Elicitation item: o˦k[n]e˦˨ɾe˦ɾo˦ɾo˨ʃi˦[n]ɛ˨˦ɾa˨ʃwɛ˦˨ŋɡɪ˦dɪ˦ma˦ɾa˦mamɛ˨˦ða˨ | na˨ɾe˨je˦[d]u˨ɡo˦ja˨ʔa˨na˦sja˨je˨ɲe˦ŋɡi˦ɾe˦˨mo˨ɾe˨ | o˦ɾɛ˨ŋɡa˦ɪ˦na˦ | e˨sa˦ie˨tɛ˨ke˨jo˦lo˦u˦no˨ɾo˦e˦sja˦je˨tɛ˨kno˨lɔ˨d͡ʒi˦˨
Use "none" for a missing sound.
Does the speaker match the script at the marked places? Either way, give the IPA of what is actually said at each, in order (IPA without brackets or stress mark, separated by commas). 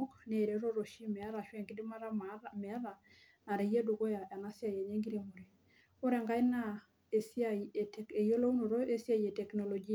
n, m, d